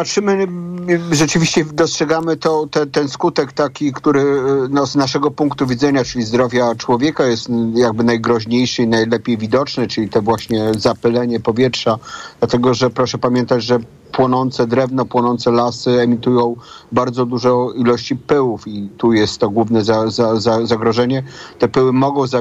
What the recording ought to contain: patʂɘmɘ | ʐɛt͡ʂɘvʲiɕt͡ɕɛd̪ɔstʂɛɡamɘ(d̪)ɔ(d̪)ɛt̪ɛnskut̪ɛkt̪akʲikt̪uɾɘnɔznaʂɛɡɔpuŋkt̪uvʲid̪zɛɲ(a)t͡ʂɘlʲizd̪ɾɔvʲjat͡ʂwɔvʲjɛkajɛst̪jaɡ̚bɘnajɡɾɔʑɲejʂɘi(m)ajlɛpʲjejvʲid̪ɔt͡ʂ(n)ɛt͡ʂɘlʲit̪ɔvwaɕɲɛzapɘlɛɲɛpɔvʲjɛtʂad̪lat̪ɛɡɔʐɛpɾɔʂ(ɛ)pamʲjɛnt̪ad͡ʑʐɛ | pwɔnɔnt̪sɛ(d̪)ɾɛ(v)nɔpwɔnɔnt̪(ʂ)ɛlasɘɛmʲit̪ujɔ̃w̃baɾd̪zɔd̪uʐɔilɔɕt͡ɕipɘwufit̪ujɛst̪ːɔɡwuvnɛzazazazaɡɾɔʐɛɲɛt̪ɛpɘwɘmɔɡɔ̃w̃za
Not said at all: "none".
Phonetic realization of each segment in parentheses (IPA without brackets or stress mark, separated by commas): t̪, t̪, a, n, n, ɛ, d̪, v, s